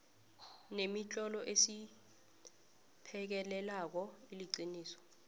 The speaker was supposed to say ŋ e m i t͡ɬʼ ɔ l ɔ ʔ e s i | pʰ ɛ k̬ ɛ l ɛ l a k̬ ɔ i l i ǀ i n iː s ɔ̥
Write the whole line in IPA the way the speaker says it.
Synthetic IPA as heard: n e m i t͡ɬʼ ɔ l ɔ ʔ e s i | pʰ ɛ k̬ ɛ l ɛ l a k̬ ɔ i l i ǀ i n iː s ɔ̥